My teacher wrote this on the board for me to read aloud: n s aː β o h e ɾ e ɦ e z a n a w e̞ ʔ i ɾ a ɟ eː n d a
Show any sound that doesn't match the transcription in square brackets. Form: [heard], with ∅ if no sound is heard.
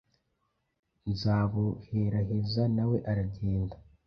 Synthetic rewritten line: n [z] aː β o h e ɾ [a] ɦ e z a n a w e̞ ʔ [a] ɾ a ɟ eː n d a